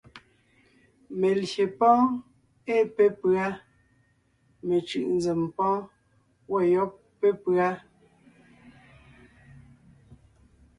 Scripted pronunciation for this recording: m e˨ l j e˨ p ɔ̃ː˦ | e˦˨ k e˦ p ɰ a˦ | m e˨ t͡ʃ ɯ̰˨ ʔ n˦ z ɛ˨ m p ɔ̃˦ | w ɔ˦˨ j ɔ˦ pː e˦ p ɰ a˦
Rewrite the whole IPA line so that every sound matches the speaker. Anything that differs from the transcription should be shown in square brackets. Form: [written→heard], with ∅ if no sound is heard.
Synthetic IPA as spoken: m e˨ l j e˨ p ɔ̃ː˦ | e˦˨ [k→p] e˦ p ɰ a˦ | m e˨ t͡ʃ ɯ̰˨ ʔ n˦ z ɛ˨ m p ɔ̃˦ | w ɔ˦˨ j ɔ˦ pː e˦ p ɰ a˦